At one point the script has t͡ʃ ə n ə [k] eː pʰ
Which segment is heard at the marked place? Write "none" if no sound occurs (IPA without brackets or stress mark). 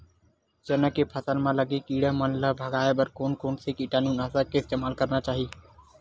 k